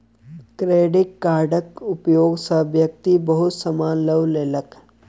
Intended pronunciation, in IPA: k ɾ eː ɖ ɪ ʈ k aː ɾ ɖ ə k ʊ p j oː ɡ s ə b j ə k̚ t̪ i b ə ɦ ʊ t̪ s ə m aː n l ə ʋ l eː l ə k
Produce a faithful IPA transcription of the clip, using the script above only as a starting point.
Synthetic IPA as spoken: k ɾ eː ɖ ɪ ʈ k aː ɾ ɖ ə k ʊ p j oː ɡ s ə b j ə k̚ t̪ i b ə ɦ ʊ t̪ s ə m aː n l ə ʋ l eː l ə k